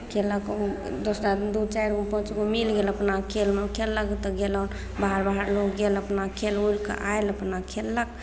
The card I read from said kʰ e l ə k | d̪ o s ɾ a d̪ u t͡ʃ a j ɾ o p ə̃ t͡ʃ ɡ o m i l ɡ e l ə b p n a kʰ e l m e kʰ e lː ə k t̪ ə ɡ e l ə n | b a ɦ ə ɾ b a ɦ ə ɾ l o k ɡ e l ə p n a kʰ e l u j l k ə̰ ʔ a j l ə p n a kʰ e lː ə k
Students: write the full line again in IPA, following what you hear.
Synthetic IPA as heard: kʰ e l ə k | d̪ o s ɾ a d̪ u t͡ʃ a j ɾ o p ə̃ t͡ʃ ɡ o m i l ɡ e l ə p n a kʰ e l m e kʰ e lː ə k t̪ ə ɡ e l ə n | b a ɦ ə ɾ b a ɦ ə ɾ l o k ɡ e l ə p n a kʰ e l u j l k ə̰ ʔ a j l ə p n a kʰ e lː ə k

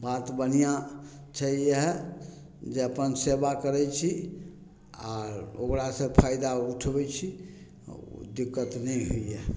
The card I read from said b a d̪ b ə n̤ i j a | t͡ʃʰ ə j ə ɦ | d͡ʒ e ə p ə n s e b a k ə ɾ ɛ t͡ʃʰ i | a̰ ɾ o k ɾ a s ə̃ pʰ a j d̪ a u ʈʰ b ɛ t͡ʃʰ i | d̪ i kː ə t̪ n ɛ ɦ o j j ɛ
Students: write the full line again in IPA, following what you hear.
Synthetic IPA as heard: b a t̪ b ə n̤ i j a | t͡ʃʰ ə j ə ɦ | d͡ʒ e ə p ə n s e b a k ə ɾ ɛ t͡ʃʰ i | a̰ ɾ o k ɾ a s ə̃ pʰ a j d̪ a u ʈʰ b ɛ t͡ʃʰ i | d̪ i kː ə t̪ n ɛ ɦ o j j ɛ

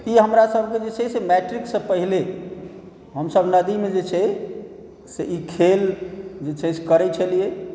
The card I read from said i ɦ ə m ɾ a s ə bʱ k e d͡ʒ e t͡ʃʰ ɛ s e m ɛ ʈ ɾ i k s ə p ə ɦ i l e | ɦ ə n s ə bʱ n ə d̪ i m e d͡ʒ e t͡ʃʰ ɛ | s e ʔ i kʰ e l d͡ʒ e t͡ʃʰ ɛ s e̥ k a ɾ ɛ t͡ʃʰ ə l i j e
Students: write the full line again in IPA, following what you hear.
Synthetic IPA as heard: i ɦ ə m ɾ a s ə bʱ k e d͡ʒ e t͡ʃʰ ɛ s e m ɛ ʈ ɾ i k s ə p ə ɦ i l e | ɦ ə m s ə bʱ n ə d̪ i m e d͡ʒ e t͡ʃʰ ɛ | s e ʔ i kʰ e l d͡ʒ e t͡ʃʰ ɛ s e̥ k ə ɾ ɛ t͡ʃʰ ə l i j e

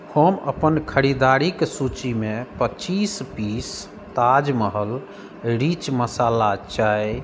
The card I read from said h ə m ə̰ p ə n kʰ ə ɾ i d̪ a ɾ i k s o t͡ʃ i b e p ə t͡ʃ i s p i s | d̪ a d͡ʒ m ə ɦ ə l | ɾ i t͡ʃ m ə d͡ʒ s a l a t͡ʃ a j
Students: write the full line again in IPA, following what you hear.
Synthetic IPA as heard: h ə m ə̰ p ə n kʰ ə ɾ i d̪ a ɾ i k s u t͡ʃ i m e p ə t͡ʃ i s p i s | t̪ a d͡ʒ m ə ɦ ə l | ɾ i t͡ʃ m ə s a l a t͡ʃ a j

